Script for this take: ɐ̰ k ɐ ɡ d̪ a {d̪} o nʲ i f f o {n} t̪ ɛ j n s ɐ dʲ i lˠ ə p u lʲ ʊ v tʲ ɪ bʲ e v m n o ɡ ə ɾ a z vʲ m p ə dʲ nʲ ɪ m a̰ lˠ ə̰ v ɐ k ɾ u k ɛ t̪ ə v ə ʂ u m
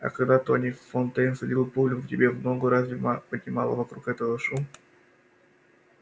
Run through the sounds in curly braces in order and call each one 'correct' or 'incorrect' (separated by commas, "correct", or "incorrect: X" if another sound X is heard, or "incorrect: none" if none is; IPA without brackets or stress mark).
incorrect: t̪, correct